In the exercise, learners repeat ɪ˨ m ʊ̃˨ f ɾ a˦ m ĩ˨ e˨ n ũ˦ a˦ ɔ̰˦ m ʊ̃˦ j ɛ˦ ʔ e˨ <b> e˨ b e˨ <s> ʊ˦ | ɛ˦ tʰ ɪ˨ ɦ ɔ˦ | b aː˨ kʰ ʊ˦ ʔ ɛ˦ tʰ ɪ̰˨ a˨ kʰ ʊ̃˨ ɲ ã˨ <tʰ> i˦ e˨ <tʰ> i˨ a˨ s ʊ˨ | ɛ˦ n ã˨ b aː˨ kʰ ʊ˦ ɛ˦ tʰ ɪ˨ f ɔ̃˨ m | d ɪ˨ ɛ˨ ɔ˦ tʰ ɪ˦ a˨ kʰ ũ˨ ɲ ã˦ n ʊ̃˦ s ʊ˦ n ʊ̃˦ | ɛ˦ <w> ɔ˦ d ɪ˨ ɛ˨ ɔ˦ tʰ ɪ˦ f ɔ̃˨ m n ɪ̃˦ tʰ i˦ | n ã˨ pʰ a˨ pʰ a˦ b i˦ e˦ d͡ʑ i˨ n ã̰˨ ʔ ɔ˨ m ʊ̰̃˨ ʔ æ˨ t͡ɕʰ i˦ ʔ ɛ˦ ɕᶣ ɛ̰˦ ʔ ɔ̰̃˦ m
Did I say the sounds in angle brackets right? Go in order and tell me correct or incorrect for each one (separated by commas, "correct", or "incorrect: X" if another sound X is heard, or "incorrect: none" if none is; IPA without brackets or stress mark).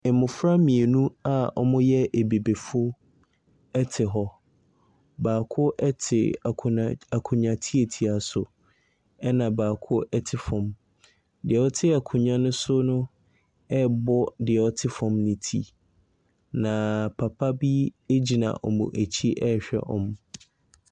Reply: correct, incorrect: f, correct, correct, incorrect: b